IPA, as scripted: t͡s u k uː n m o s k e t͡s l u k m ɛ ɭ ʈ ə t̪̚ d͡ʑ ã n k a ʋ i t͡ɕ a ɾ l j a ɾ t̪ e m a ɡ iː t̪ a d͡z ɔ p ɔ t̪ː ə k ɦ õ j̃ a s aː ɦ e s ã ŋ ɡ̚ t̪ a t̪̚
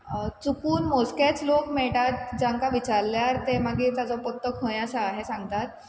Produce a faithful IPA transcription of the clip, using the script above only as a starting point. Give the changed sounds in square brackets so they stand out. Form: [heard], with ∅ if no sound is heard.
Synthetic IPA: t͡s u k uː n m o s k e t͡s l [o] k m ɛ ɭ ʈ [a] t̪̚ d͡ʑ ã [ŋ] k a ʋ i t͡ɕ a ɾ l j a ɾ t̪ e m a ɡ iː t̪ a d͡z ɔ p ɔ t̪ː ə k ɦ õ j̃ a s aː ɦ e s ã ŋ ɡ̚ t̪ a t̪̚